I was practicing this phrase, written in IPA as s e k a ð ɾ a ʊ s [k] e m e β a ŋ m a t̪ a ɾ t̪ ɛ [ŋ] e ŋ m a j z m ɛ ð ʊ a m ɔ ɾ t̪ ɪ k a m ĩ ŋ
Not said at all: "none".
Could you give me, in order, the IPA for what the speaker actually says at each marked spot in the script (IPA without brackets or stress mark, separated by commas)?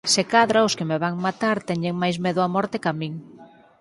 k, ɲ